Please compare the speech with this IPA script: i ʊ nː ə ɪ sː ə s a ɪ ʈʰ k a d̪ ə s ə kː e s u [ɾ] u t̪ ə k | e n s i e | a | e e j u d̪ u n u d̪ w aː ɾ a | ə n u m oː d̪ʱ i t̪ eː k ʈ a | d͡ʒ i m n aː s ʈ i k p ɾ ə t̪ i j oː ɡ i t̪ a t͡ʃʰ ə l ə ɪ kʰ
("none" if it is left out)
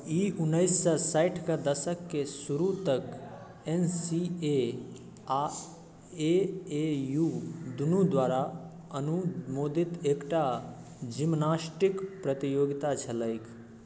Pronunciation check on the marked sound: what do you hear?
ɾ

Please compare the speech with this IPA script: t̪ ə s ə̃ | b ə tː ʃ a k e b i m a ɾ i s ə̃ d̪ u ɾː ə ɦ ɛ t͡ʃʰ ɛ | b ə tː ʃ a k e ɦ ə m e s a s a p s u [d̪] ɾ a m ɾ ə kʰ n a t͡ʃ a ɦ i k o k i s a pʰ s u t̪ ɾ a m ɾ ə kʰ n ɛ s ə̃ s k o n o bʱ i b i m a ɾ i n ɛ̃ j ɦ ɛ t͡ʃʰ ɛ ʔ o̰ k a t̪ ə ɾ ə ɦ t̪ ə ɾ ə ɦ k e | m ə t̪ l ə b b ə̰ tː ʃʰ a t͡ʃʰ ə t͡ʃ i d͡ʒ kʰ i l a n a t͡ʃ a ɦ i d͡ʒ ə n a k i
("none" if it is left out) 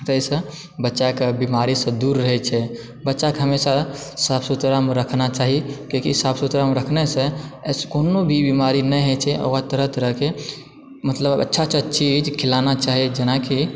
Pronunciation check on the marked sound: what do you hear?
t̪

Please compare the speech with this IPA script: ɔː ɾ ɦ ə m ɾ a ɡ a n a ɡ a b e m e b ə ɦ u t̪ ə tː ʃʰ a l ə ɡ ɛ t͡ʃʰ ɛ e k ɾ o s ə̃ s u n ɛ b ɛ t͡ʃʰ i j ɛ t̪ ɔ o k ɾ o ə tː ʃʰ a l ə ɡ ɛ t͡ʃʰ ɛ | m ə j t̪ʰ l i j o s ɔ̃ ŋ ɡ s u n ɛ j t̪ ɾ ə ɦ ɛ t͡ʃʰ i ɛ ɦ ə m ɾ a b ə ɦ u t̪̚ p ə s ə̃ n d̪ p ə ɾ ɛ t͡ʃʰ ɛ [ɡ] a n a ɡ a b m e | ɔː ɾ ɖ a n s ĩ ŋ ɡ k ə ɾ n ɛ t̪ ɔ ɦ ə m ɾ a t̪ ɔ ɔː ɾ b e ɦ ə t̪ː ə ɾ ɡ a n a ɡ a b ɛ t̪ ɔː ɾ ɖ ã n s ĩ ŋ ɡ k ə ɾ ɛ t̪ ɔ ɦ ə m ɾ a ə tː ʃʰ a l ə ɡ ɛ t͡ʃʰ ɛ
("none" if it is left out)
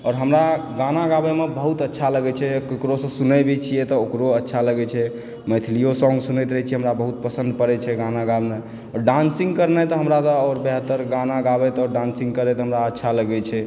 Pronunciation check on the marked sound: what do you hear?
ɡ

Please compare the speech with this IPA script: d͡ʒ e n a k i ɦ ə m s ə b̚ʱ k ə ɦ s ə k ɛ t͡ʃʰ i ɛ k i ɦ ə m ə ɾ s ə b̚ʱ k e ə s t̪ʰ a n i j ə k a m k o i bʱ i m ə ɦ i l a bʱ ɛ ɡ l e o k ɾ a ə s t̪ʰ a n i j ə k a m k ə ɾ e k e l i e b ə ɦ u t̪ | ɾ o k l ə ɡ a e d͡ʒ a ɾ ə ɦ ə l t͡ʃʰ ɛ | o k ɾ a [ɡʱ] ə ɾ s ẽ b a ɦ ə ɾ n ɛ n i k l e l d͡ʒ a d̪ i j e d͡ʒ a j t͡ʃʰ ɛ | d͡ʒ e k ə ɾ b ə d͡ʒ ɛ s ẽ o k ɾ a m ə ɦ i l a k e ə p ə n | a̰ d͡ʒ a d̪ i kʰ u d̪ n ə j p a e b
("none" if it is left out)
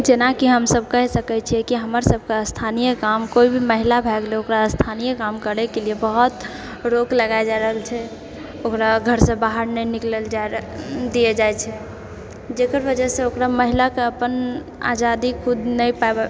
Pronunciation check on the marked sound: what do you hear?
ɡʱ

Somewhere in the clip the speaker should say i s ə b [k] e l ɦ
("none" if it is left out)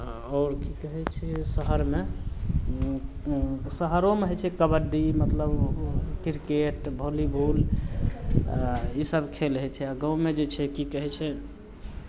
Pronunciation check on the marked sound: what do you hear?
kʰ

